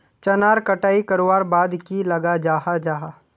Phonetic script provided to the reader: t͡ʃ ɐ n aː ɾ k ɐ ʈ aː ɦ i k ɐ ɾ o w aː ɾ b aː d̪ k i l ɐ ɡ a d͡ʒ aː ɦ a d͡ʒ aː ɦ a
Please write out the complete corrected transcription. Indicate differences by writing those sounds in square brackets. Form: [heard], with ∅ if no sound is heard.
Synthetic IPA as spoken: t͡ʃ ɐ n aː ɾ k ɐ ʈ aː [∅] i k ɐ ɾ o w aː ɾ b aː d̪ k i l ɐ ɡ a d͡ʒ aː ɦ a d͡ʒ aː ɦ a